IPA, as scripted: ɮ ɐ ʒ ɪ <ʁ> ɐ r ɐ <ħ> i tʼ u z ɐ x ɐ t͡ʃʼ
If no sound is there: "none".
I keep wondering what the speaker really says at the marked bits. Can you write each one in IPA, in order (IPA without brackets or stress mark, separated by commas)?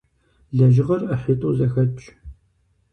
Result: ʁ, ħ